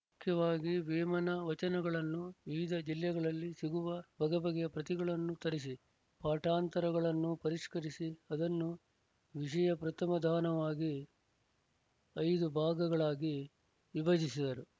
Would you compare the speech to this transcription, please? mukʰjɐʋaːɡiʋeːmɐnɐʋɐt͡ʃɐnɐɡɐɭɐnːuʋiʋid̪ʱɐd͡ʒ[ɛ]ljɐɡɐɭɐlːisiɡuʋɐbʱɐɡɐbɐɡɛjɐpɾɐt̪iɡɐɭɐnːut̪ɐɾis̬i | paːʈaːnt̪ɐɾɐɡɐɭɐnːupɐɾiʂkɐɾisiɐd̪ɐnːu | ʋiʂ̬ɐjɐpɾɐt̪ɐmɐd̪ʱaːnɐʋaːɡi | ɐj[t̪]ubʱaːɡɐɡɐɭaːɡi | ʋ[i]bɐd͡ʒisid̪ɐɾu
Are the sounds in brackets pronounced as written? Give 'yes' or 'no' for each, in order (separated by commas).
no, no, yes